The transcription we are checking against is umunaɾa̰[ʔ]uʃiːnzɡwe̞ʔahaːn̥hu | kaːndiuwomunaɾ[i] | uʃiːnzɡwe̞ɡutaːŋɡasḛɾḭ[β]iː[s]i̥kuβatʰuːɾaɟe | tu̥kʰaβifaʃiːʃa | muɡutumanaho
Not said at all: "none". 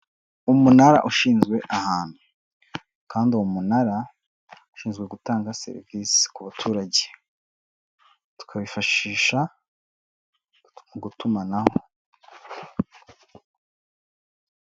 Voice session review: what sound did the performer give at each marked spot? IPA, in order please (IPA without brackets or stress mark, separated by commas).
ʔ, a, v, s